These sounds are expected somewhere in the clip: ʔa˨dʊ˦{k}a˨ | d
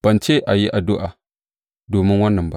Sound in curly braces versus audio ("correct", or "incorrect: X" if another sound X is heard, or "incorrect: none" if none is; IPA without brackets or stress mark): incorrect: ʔ